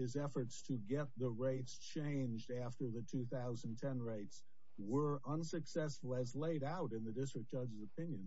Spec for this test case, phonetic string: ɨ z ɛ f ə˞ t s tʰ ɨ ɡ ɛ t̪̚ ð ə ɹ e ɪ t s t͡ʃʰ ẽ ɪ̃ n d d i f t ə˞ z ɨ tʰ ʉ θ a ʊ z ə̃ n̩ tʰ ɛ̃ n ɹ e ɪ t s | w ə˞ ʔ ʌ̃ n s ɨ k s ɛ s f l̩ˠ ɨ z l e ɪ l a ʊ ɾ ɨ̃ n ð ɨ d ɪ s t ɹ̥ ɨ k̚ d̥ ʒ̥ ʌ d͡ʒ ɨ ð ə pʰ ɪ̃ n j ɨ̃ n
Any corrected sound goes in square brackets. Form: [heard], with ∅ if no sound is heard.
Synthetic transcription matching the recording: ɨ z ɛ f ə˞ t s tʰ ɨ ɡ ɛ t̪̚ ð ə ɹ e ɪ t s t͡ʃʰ ẽ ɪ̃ n [d͡ʒ] d [æ] f t ə˞ [ð] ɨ tʰ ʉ θ a ʊ z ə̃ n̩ tʰ ɛ̃ n ɹ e ɪ t s | w ə˞ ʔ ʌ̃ n s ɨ k s ɛ s f l̩ˠ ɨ z l e ɪ [ɾ] a ʊ ɾ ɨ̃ n ð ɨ d ɪ s t ɹ̥ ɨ k̚ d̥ ʒ̥ ʌ d͡ʒ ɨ [z] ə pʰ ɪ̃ n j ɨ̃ n